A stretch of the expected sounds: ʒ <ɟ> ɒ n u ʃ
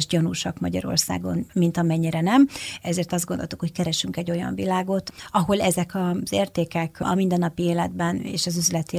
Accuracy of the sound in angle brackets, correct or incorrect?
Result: correct